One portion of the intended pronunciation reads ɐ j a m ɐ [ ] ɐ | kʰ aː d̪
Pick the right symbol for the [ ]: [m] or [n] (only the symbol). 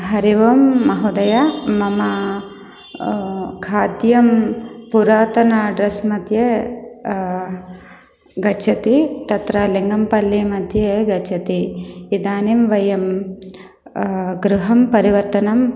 m